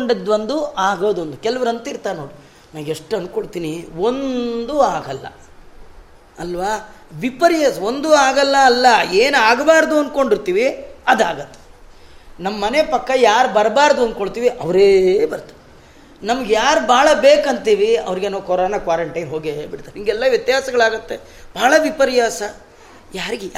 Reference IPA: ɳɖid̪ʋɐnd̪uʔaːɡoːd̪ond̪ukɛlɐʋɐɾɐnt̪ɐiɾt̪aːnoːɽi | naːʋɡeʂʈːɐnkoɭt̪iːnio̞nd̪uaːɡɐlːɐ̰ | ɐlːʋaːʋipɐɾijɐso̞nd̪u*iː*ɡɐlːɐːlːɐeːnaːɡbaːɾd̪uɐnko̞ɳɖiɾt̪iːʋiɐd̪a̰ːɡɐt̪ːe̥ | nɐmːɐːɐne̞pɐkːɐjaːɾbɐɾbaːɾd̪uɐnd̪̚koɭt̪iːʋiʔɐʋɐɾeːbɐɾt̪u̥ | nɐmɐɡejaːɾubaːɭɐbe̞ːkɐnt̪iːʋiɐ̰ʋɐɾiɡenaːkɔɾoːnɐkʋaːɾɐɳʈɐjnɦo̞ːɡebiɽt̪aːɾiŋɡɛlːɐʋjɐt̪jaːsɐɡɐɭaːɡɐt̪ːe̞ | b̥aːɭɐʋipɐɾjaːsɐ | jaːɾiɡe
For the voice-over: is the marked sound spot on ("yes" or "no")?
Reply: no